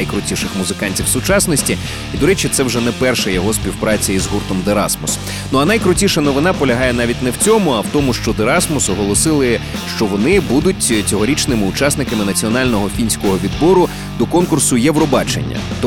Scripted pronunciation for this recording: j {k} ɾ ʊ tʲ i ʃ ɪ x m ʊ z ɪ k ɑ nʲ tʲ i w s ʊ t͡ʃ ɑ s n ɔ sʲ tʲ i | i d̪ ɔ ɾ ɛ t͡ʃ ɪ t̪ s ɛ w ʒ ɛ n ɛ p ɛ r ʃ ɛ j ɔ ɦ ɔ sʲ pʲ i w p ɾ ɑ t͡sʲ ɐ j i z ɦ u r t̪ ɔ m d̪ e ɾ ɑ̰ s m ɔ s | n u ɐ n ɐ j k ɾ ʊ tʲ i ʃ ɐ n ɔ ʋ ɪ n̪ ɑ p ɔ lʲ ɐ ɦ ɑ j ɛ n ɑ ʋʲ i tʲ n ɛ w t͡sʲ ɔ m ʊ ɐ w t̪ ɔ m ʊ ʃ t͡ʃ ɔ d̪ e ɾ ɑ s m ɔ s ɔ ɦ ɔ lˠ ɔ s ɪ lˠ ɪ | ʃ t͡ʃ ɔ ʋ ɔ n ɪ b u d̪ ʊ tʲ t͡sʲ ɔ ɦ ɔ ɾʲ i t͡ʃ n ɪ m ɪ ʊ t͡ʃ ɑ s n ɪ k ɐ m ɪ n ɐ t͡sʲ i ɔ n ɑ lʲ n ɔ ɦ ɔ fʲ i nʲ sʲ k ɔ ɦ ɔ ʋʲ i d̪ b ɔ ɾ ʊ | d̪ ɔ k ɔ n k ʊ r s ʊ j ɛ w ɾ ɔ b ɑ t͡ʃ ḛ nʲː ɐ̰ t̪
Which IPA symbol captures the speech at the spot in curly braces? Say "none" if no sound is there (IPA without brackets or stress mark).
k